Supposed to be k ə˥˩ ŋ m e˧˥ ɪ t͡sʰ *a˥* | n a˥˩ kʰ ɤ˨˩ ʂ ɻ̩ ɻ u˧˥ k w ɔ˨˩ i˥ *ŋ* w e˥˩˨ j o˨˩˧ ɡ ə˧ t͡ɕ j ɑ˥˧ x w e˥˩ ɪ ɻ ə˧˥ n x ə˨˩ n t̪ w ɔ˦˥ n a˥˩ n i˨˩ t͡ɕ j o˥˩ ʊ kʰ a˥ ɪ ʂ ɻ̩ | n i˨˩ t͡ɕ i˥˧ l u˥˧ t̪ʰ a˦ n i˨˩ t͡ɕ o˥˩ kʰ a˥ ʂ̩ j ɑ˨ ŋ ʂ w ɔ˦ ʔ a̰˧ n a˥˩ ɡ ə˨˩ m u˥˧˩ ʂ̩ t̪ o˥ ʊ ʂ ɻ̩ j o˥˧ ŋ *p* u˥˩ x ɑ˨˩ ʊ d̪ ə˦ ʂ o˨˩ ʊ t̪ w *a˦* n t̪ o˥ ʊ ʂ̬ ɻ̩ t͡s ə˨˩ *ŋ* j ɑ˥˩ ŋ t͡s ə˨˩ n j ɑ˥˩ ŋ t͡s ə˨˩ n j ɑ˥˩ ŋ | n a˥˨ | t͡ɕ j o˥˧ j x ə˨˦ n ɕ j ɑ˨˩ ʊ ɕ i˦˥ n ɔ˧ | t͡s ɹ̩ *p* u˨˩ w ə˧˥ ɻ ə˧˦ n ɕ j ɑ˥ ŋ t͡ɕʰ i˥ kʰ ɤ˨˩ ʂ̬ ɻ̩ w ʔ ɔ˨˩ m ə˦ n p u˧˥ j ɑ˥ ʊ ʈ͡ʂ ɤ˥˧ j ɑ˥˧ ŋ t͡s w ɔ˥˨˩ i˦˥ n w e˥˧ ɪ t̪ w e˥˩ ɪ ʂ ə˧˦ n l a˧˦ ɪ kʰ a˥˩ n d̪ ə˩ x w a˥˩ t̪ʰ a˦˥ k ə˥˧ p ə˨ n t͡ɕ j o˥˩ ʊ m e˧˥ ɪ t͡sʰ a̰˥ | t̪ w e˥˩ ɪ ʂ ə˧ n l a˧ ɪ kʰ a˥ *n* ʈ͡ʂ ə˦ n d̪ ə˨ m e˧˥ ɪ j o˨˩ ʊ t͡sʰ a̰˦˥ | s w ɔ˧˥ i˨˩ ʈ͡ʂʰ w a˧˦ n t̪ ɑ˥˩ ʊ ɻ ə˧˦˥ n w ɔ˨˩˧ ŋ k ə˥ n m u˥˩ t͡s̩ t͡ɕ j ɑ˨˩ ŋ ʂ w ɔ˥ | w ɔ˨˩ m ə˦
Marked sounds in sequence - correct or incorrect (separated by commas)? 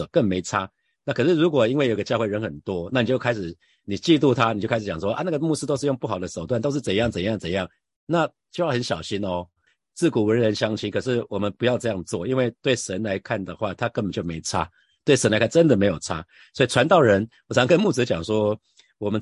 correct, incorrect, correct, incorrect, incorrect, incorrect, correct